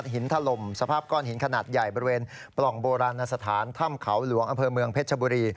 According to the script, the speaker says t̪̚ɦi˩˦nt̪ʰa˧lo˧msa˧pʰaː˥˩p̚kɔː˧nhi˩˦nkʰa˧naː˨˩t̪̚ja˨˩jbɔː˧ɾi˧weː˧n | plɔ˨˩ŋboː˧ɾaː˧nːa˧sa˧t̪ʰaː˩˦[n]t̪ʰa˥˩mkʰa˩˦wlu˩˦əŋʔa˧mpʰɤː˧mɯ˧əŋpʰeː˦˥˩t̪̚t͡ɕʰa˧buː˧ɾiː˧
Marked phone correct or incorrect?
correct